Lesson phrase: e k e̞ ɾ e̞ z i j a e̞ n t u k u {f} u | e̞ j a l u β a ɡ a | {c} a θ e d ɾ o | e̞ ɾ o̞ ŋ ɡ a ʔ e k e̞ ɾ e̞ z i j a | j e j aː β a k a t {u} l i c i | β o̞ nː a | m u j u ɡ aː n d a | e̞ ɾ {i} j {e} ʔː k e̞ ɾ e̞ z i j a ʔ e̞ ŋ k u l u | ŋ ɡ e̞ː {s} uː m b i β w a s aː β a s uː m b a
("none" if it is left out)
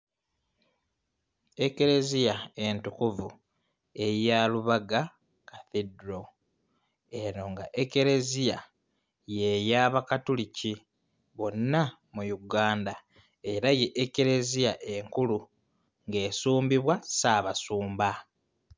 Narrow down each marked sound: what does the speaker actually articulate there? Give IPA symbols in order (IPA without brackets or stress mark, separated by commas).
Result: v, k, u, a, e, s